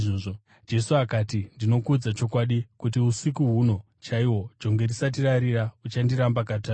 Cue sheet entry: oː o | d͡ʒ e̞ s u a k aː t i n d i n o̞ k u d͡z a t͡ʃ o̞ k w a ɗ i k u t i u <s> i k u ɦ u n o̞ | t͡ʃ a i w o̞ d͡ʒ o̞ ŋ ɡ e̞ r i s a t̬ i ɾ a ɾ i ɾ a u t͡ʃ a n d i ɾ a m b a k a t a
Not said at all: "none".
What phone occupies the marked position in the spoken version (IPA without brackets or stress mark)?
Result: s